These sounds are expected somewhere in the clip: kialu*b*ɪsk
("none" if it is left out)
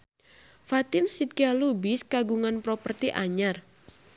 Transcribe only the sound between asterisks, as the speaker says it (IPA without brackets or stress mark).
b